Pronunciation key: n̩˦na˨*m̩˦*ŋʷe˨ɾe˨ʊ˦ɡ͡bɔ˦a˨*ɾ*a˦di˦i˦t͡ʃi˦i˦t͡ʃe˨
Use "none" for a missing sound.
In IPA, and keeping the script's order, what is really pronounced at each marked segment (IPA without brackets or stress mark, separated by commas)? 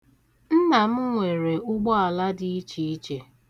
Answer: m̩˦, l